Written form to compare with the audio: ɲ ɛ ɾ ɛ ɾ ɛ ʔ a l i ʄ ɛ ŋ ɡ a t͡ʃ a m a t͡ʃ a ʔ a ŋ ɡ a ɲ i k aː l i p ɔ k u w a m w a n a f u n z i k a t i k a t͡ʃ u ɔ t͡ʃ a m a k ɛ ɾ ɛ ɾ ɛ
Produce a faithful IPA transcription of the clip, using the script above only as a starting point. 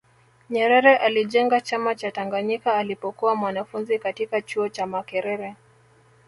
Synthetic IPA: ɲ ɛ ɾ ɛ ɾ ɛ ʔ a l i ʄ ɛ ŋ ɡ a t͡ʃ a m a t͡ʃ a t a ŋ ɡ a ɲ i k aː l i p ɔ k u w a m w a n a f u n z i k a t i k a t͡ʃ u ɔ t͡ʃ a m a k ɛ ɾ ɛ ɾ ɛ